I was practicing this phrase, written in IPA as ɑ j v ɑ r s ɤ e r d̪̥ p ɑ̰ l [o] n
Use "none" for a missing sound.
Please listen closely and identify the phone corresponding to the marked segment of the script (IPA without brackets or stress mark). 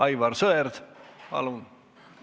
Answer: u